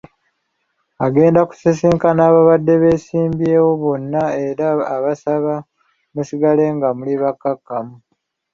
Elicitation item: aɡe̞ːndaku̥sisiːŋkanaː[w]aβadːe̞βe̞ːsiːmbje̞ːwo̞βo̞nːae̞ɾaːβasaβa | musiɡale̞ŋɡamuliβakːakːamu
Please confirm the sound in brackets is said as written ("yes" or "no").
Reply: no